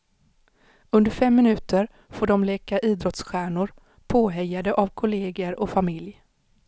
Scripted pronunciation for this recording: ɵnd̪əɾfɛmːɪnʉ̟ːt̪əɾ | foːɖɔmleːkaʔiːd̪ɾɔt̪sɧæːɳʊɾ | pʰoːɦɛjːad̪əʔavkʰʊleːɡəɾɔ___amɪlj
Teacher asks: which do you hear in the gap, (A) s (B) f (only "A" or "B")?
B